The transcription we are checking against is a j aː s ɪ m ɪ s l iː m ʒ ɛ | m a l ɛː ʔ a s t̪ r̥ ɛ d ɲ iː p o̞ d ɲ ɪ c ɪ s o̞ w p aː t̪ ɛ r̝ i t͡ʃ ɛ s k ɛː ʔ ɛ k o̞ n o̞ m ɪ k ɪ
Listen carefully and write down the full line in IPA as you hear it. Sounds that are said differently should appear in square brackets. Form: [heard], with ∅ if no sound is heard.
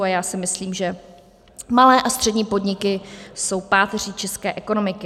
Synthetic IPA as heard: a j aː s ɪ m ɪ s l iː m ʒ ɛ | m a l ɛː ʔ a s t̪ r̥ ɛ d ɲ iː p o̞ d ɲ ɪ [k] ɪ s o̞ w p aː t̪ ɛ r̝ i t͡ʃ ɛ s k ɛː ʔ ɛ k o̞ n o̞ m ɪ k ɪ